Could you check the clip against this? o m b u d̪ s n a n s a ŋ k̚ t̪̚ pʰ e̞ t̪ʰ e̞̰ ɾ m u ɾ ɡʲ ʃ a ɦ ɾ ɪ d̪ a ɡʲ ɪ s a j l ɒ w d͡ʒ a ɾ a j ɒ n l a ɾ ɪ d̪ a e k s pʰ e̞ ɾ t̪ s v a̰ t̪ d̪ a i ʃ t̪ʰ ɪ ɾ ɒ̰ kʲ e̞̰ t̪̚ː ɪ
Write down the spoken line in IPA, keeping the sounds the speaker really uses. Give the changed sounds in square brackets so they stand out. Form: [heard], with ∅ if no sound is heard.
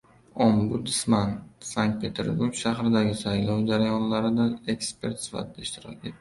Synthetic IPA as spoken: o m b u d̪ s [m] a n s a ŋ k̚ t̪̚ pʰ e̞ t̪ʰ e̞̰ ɾ [b] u ɾ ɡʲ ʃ a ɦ ɾ ɪ d̪ a ɡʲ ɪ s a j l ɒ w d͡ʒ a ɾ a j ɒ n l a ɾ ɪ d̪ a e k s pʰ e̞ ɾ t̪ s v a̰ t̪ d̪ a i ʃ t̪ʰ ɪ ɾ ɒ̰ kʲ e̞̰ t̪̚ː ɪ